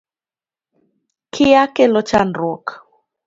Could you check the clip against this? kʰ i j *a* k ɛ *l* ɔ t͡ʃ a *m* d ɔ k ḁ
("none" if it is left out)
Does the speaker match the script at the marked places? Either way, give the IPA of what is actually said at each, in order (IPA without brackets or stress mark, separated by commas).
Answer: a, l, n